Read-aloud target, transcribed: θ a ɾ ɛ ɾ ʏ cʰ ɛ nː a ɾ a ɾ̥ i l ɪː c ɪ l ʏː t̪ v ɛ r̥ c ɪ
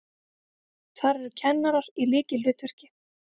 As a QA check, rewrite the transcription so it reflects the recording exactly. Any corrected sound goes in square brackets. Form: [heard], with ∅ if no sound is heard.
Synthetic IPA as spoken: θ a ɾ ɛ ɾ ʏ cʰ ɛ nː a ɾ a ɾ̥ i l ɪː c ɪ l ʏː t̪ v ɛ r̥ c ɪ